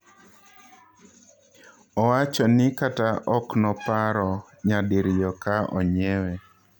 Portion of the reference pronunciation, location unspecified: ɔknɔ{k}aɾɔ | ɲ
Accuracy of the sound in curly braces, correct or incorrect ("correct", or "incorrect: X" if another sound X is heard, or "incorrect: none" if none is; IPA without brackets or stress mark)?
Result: incorrect: p